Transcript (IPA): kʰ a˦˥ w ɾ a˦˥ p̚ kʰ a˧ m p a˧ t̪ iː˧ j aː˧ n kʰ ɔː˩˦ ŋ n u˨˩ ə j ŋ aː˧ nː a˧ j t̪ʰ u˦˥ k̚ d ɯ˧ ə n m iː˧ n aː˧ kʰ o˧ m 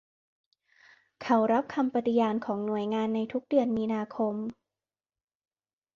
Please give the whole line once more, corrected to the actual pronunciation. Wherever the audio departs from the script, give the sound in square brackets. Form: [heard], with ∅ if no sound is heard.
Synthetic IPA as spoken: kʰ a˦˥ w ɾ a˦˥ p̚ kʰ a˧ m p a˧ t̪ [i˧] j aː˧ n kʰ ɔː˩˦ ŋ n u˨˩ ə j ŋ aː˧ nː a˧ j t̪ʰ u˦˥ k̚ d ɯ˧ ə n m iː˧ n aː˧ kʰ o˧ m